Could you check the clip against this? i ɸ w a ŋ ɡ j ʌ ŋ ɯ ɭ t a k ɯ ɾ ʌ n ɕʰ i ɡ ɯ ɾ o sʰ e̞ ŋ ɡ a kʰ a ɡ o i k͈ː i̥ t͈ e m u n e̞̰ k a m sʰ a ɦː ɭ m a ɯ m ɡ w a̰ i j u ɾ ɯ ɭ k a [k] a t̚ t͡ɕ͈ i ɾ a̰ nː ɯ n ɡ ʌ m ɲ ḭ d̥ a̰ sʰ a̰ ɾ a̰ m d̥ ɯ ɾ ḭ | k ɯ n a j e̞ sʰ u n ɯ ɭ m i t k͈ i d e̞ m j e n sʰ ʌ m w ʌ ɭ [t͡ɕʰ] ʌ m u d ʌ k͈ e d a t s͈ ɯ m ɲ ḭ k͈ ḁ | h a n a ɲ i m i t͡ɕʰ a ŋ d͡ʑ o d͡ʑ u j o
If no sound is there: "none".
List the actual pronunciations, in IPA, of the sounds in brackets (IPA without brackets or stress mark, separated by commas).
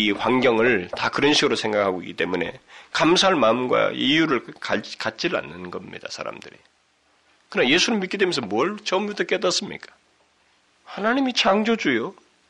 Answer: k, t͡ɕ